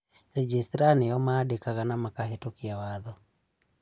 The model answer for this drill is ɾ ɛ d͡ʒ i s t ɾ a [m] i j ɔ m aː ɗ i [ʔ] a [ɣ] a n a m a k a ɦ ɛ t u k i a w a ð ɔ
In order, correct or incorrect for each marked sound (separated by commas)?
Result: incorrect, incorrect, correct